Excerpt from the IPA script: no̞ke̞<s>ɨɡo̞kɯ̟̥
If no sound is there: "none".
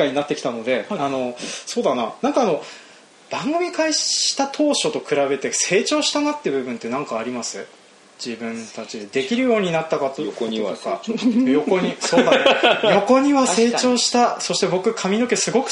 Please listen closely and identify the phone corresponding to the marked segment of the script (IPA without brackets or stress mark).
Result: s